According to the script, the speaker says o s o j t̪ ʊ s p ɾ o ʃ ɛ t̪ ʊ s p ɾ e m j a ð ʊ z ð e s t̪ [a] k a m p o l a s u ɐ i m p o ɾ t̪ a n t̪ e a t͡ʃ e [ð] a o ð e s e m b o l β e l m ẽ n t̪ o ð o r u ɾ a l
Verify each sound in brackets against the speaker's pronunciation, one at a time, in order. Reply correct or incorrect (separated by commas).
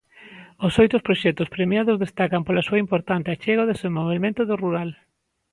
correct, incorrect